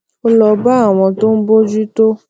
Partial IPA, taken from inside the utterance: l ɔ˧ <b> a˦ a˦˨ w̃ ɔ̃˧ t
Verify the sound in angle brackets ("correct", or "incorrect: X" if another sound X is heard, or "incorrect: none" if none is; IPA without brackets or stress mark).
correct